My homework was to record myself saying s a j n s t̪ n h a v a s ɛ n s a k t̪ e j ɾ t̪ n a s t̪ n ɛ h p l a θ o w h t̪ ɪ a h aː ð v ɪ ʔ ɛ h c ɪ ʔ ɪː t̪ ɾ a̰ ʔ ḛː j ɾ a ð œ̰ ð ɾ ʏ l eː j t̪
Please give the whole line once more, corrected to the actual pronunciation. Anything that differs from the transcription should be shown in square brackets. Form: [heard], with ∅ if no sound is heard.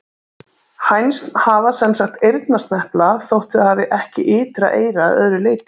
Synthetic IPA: [h] a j n s t̪ n h a v a s ɛ n s a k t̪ e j ɾ t̪ n a s t̪ n ɛ h p l a θ o w h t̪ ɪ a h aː [∅] v ɪ ʔ ɛ h c ɪ ʔ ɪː t̪ ɾ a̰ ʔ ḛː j ɾ a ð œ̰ ð ɾ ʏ l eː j t̪